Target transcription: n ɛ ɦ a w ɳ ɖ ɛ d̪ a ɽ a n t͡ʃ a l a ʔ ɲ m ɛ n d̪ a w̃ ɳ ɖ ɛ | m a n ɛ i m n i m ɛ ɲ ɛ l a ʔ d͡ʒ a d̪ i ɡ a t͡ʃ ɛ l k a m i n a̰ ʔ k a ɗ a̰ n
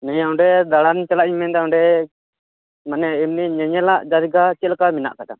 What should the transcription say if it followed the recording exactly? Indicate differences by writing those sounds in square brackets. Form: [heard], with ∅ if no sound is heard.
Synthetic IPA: n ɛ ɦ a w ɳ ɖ ɛ d̪ a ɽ a n t͡ʃ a l a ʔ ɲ m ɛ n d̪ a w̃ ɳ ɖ ɛ | m a n ɛ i m n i [ɲ] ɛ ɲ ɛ l a ʔ d͡ʒ a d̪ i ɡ a t͡ʃ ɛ l k a m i n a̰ ʔ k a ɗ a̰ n